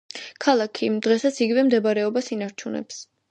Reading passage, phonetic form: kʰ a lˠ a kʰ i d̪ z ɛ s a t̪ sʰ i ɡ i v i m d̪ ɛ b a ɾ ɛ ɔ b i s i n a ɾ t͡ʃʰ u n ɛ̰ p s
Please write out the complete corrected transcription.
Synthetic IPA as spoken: kʰ a lˠ a kʰ i d̪ ʁ ɛ s a t̪ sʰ i ɡ i v ɛ m d̪ ɛ b a ɾ ɛ ɔ b a s i n a ɾ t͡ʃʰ u n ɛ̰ p s